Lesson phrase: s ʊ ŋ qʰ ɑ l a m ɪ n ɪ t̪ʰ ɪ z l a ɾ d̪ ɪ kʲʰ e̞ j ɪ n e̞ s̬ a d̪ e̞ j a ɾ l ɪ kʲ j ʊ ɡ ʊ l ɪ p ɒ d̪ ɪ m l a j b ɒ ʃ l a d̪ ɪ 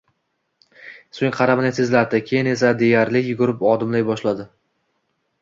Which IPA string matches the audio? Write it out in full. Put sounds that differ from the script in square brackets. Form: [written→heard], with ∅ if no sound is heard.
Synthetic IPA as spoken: s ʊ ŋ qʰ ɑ [l→ɾ] a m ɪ n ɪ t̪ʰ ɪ z l a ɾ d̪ ɪ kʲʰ e̞ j ɪ n e̞ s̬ a d̪ e̞ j a ɾ l ɪ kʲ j ʊ ɡ ʊ [l→ɾ] ɪ p ɒ d̪ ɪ m l a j b ɒ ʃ l a d̪ ɪ